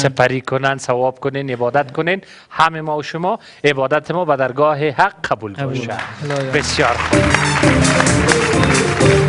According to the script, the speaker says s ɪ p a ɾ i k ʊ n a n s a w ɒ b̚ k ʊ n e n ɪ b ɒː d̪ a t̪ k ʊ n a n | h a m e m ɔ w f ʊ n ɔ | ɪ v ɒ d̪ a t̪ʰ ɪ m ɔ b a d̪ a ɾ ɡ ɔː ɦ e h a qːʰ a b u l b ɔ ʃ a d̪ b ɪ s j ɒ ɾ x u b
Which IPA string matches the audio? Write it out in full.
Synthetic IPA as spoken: s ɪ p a ɾ i k ʊ n a n s a w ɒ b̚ k ʊ n e n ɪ b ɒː d̪ a t̪ k ʊ n e n | h a m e m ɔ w ʃ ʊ m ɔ | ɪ b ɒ d̪ a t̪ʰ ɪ m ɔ b a d̪ a ɾ ɡ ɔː ɦ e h a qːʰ a b u l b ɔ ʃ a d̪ b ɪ s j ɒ ɾ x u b